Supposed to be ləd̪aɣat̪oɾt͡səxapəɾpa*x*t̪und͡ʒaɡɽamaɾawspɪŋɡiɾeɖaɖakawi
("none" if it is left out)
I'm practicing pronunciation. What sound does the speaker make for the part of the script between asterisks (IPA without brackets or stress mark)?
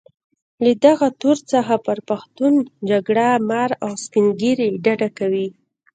x